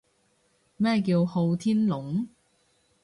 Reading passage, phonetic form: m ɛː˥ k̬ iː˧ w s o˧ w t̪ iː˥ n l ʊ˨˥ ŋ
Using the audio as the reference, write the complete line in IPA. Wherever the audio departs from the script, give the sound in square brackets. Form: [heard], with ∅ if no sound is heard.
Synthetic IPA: m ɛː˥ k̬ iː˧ w [h] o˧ w [t̪ʰ] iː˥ n l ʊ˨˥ ŋ